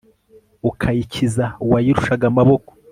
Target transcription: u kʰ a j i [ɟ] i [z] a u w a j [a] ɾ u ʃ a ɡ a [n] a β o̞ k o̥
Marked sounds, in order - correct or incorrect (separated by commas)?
incorrect, correct, incorrect, incorrect